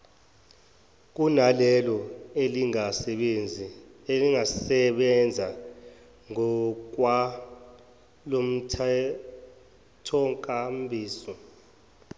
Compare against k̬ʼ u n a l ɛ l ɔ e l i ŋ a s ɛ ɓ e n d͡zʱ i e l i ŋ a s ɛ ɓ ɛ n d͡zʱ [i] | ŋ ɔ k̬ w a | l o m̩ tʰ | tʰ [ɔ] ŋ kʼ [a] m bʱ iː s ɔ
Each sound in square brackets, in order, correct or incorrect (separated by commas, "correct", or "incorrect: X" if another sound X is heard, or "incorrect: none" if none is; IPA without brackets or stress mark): incorrect: a, correct, correct